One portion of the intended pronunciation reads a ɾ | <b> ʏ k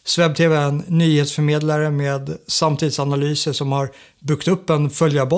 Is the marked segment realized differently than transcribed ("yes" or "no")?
no